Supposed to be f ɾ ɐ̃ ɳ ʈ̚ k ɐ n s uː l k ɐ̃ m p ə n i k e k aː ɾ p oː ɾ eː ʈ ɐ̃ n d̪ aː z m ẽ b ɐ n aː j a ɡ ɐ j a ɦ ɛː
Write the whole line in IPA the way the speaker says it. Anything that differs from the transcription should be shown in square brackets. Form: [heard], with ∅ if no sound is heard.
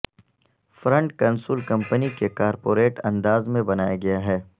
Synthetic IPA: f ɾ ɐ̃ ɳ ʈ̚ k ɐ n s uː l k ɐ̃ m p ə n i k e k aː ɾ p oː ɾ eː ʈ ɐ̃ n d̪ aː z m ẽ b ɐ n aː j a ɡ ɐ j a ɦ ɛː